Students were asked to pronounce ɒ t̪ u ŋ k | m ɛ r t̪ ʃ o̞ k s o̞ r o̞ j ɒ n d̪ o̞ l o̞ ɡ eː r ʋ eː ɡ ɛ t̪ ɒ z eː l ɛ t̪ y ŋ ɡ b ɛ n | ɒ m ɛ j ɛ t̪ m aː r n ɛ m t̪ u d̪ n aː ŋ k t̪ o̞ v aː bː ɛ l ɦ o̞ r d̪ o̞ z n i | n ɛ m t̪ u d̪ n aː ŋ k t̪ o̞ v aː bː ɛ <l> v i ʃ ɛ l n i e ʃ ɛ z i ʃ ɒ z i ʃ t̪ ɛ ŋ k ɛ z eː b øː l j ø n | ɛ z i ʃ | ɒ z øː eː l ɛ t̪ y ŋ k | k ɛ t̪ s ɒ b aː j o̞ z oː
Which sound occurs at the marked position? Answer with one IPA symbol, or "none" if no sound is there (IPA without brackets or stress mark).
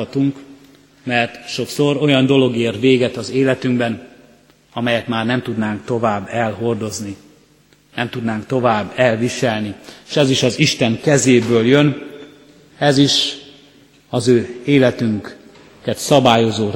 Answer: l